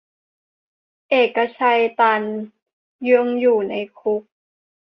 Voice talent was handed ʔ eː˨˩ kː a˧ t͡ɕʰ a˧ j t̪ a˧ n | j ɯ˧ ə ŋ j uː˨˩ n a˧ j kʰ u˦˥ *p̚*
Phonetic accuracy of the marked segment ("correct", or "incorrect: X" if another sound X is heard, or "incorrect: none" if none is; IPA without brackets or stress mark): incorrect: k̚